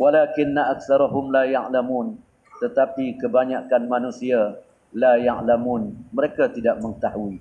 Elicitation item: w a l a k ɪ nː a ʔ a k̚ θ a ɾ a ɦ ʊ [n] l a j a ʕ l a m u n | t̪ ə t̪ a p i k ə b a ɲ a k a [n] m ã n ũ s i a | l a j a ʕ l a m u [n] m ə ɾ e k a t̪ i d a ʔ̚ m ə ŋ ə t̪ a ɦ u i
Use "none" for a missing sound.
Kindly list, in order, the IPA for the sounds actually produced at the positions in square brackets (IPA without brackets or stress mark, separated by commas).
m, n, n